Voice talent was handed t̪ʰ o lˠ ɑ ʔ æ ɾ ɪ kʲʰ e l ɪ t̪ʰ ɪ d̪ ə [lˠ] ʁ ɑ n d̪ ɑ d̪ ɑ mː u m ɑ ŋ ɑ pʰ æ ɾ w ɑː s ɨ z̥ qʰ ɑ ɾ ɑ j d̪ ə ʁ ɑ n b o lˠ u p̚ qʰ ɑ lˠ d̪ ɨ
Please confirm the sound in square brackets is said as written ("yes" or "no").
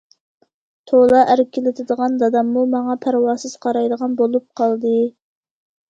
no